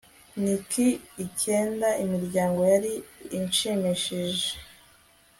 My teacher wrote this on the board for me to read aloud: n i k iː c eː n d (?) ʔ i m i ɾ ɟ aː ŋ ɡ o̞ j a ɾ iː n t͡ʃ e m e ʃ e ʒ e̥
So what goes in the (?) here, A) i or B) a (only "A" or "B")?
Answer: B